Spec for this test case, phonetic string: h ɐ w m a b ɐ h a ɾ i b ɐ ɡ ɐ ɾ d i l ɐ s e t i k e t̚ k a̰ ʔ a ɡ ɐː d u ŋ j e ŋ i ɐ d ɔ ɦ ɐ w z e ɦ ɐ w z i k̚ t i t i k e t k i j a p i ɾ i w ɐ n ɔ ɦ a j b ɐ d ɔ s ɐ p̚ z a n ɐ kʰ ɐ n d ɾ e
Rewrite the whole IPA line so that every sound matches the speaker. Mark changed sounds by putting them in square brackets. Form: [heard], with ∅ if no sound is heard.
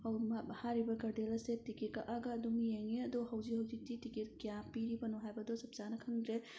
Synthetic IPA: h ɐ w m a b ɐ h a ɾ i b ɐ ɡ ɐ ɾ d [e] l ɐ s e t i k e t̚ k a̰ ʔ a ɡ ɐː d u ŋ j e ŋ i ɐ d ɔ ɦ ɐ w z [i] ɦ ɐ w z i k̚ t i t i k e t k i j a p i ɾ i [b] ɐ n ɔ ɦ a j b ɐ d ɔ s ɐ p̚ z a n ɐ kʰ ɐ [ŋ] d ɾ e